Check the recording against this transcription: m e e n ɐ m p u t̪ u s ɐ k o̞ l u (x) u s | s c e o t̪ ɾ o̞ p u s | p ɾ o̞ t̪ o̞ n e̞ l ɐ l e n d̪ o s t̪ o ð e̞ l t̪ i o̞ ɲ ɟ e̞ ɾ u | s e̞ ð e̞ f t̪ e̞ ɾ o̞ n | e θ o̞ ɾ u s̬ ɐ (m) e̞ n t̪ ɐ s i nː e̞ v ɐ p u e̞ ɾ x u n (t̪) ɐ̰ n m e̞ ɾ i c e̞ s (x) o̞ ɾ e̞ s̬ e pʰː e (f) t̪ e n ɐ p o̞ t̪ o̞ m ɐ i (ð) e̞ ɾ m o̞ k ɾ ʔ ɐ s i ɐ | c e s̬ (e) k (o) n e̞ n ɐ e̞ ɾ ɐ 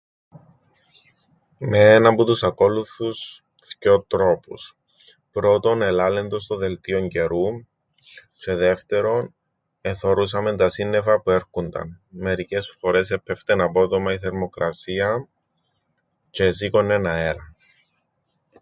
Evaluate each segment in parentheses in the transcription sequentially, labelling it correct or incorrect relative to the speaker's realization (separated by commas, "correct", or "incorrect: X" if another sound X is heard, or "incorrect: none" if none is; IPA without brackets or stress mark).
incorrect: θ, correct, incorrect: d̪, incorrect: f, correct, incorrect: θ, incorrect: i, correct